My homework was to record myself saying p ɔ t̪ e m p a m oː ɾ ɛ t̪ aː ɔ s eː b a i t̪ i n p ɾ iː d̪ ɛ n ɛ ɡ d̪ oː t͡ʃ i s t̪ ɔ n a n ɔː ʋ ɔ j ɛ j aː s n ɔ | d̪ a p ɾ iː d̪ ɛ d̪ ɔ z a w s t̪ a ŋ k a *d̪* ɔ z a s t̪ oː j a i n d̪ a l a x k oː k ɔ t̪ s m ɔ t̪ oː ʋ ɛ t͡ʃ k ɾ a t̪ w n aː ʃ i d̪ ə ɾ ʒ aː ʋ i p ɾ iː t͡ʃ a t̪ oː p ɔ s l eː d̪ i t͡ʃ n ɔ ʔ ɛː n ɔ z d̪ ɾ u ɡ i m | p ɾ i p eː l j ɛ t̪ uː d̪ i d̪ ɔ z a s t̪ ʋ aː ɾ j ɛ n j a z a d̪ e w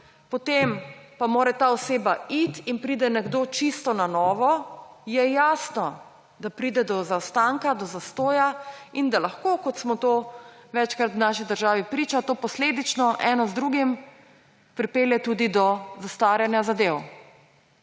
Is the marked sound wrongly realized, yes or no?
no